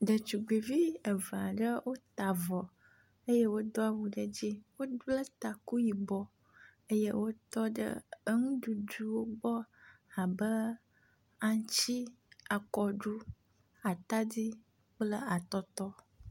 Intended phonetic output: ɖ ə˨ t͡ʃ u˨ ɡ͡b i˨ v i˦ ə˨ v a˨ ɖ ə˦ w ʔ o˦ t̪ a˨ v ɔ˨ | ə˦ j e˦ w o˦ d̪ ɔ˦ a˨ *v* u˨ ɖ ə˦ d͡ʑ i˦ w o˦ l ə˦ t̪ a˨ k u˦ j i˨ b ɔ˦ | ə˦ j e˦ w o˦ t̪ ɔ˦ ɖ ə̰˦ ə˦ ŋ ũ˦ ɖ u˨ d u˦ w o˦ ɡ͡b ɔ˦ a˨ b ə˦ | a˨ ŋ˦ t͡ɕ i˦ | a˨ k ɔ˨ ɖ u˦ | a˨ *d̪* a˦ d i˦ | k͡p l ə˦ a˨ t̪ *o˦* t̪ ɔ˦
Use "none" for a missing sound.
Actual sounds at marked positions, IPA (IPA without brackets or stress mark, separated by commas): w, t̪, ɔ˦